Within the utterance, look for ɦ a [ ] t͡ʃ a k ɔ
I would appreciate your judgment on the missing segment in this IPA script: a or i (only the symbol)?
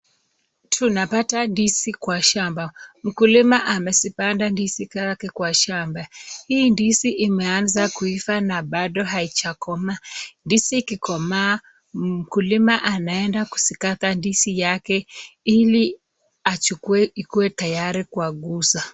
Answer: i